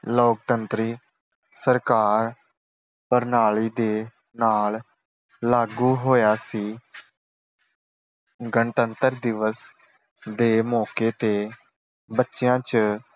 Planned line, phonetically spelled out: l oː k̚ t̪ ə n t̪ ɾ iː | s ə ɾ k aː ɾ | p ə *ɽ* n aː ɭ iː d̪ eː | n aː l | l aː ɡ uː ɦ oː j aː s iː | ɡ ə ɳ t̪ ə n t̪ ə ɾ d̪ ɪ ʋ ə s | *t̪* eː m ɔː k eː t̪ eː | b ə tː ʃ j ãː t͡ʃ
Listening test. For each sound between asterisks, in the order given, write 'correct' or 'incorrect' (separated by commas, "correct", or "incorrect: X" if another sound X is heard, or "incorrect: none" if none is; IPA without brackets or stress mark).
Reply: incorrect: ɾ, incorrect: d̪